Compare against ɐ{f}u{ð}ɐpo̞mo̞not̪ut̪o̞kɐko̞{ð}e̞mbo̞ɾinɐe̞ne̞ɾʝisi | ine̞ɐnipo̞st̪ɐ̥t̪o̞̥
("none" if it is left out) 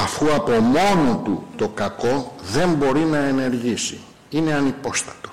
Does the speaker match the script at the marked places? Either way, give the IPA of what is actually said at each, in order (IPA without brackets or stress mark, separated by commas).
f, none, ð